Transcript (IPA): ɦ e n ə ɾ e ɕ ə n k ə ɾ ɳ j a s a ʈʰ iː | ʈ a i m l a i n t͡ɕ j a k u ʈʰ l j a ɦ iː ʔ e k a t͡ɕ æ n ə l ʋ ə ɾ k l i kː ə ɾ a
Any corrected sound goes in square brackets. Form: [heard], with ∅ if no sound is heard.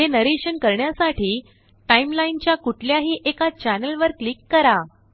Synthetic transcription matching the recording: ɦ e n ə ɾ e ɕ ə n k ə ɾ ɳ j a s a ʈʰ iː | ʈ a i m l a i n t͡ɕ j a k u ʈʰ l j a ɦ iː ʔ e k a t͡ɕ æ n ə l ʋ ə ɾ k l i kː ə ɾ a